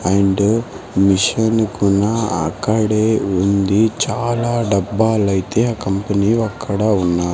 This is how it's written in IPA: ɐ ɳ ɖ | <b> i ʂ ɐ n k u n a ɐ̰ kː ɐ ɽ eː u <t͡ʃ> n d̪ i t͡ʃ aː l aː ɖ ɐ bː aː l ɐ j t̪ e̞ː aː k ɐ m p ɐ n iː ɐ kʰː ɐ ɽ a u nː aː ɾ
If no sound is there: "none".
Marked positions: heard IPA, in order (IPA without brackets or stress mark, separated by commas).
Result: m, none